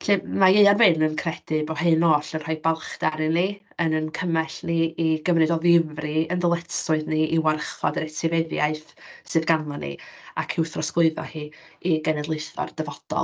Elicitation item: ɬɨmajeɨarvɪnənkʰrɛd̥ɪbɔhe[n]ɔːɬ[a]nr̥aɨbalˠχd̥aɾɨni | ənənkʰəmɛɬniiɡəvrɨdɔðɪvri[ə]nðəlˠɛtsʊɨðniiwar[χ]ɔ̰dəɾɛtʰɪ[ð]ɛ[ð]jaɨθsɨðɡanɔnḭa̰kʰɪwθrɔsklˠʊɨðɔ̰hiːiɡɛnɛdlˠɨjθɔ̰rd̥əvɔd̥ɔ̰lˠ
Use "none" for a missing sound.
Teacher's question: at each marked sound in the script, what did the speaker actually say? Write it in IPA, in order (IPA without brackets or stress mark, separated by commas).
n, ə, ə, χ, v, ð